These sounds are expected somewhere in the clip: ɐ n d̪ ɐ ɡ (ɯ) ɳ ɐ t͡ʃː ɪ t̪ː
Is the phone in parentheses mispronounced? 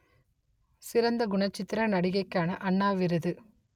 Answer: yes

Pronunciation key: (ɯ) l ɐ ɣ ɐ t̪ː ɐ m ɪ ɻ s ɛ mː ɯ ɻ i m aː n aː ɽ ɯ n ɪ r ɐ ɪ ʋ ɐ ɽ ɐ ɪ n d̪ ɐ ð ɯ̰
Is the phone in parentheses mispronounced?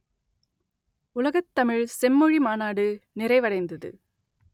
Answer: yes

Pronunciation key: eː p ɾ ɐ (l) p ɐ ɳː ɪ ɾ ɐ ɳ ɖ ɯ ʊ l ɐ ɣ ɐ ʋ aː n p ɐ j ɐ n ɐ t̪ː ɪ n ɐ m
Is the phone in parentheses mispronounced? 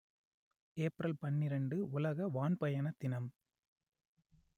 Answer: no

